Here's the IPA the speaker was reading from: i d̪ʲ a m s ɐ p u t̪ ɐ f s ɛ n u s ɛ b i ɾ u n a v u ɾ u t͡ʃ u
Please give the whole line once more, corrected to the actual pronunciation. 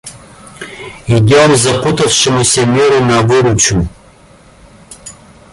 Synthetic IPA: i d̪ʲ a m z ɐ p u t̪ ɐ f ʃ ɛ m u s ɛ m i ɾ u n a v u ɾ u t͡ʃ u